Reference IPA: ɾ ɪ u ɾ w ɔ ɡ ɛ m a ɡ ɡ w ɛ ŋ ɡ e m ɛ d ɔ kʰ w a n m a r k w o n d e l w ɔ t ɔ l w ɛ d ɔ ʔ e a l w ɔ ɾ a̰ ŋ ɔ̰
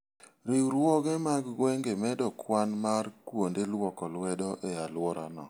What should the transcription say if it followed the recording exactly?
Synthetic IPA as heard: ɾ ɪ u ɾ w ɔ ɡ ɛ m a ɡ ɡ w ɛ ŋ ɡ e m ɛ d ɔ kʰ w a n m a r k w o n d e l w ɔ k ɔ l w ɛ d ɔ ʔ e a l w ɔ ɾ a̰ n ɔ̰